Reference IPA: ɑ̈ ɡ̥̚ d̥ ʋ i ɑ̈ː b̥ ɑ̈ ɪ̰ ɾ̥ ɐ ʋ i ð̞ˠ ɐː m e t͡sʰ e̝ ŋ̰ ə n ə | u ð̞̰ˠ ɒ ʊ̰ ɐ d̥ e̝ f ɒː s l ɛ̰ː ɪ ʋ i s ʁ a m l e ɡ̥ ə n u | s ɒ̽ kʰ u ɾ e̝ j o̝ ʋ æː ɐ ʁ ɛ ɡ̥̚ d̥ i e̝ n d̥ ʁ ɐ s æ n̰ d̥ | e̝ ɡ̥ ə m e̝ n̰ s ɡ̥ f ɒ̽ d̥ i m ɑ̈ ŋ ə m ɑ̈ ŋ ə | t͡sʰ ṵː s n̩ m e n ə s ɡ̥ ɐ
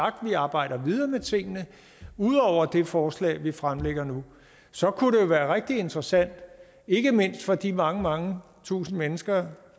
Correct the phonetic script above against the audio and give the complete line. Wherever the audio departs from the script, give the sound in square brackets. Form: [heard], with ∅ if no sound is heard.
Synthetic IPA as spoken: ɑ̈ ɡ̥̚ d̥ ʋ i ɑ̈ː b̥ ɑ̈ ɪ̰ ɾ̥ ɐ ʋ i ð̞ˠ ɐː m e t͡sʰ e̝ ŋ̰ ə n ə | u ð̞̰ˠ ɒ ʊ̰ ɐ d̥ e̝ f ɒː s l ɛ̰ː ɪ ʋ i [f] ʁ a m l e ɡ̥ [ɐ] n u | s ɒ̽ kʰ u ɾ e̝ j o̝ ʋ æː ɐ ʁ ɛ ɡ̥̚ d̥ i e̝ n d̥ ʁ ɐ s æ n̰ d̥ | e̝ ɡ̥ ə m e̝ n̰ s [d̥] f ɒ̽ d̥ i m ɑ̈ ŋ ə m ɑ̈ ŋ ə | t͡sʰ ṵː s n̩ m e n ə s ɡ̥ ɐ